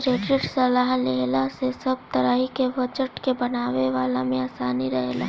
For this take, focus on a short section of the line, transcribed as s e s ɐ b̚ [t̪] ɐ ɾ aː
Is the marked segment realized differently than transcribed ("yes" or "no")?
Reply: no